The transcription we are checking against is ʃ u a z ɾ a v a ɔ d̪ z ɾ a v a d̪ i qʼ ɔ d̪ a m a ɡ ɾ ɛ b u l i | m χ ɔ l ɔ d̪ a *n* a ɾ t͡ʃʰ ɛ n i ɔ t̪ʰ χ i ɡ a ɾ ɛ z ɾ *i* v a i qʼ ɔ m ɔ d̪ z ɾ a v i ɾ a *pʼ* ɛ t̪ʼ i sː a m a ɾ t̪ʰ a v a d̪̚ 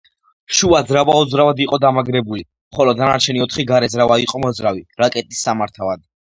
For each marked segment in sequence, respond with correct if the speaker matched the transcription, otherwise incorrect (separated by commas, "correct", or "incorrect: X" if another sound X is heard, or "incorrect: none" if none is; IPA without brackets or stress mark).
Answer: correct, incorrect: a, incorrect: kʼ